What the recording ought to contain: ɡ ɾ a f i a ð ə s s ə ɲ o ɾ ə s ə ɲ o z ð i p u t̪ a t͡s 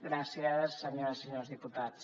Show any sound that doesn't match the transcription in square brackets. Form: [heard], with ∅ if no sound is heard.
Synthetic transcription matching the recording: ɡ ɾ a [s] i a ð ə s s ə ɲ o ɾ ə s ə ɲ o z ð i p u t̪ a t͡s